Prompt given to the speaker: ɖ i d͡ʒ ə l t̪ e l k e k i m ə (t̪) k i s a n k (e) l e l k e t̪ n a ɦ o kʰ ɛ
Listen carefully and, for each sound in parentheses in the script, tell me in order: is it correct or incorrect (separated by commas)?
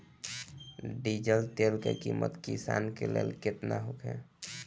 correct, correct